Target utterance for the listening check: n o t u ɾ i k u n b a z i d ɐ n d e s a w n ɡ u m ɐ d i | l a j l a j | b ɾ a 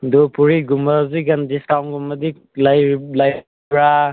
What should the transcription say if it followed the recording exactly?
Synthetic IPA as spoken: d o p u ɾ i ɡ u m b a z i ɡ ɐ n d i s a w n ɡ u m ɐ d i | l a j l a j | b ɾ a